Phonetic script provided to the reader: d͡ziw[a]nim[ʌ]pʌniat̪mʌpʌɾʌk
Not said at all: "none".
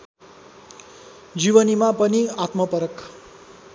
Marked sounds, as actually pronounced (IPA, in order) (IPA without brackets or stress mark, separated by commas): ʌ, a